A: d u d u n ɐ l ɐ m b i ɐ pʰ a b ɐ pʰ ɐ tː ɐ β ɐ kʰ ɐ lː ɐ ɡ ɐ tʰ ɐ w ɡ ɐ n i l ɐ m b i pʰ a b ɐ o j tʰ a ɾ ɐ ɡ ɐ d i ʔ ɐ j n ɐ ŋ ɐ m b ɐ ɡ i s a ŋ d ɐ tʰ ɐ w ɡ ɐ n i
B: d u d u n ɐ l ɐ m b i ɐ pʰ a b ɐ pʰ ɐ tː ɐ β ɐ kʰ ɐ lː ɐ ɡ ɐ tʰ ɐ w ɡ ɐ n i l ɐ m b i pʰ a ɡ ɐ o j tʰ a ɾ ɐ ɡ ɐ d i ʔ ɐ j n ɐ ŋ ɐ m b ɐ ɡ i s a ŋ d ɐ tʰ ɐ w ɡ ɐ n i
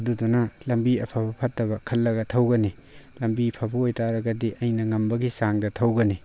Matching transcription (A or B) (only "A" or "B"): A